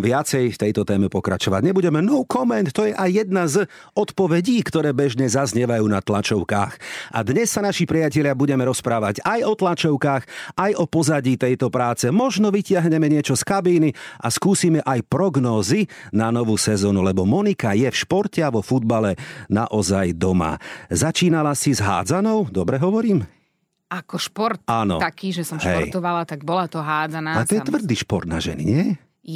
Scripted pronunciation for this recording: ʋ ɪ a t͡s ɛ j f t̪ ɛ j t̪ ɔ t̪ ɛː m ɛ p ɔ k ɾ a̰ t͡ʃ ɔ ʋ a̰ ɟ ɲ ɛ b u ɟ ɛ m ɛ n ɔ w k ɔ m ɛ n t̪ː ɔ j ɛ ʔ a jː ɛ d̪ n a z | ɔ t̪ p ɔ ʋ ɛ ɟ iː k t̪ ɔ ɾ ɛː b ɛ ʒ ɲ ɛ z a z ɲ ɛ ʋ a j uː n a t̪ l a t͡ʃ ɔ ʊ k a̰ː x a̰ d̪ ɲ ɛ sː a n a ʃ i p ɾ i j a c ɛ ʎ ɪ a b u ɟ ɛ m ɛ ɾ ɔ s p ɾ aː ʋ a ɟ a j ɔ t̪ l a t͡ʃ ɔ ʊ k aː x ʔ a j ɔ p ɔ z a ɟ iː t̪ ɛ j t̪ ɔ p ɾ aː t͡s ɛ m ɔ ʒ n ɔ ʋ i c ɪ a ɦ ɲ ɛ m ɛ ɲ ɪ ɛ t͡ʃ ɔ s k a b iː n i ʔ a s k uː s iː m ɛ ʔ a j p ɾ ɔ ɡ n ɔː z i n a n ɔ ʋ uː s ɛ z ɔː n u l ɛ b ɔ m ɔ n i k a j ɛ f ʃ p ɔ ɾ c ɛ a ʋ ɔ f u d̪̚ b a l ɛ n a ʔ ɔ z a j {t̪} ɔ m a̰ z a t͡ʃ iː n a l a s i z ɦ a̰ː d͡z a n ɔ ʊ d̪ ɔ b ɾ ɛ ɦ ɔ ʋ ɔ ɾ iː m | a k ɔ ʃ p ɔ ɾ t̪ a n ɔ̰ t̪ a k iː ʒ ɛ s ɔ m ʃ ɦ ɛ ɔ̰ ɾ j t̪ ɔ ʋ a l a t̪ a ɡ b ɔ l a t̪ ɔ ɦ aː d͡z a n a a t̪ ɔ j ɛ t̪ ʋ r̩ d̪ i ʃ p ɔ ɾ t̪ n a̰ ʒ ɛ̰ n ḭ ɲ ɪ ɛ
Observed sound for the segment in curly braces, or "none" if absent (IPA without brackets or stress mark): d̪